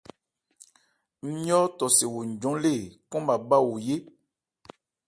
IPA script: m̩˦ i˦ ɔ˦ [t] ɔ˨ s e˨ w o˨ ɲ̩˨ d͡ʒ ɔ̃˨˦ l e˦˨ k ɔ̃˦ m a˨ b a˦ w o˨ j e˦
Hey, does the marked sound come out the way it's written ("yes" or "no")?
yes